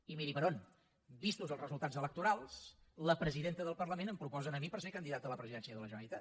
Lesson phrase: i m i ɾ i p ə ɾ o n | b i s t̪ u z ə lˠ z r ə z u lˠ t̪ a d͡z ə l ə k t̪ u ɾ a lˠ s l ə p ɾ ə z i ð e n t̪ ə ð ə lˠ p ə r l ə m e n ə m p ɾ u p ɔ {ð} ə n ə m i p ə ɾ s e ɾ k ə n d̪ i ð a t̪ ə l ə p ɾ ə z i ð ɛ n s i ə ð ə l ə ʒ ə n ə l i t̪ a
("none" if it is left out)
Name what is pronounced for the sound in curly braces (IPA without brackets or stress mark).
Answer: z